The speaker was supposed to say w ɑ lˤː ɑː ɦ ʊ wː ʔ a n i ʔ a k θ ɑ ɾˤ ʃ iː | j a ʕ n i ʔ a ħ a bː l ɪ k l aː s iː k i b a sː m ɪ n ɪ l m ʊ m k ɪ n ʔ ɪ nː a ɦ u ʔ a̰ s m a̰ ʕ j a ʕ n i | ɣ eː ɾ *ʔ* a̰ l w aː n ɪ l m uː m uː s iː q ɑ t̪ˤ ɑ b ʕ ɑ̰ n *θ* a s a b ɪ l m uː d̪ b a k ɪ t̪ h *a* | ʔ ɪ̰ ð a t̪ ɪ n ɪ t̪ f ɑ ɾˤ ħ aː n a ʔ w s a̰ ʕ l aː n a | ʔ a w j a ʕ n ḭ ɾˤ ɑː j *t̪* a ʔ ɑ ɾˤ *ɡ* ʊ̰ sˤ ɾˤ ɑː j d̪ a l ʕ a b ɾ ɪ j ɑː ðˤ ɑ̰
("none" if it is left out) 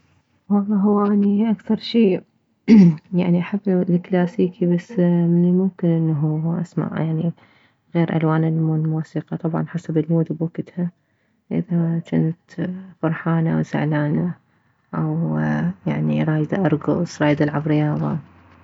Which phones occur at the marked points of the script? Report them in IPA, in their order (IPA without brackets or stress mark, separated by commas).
ʔ, ħ, a, d̪, ɡ